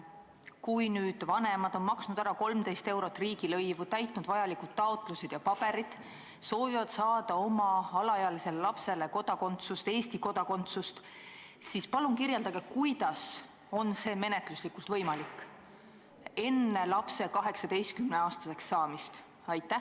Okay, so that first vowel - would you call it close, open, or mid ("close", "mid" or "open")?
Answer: close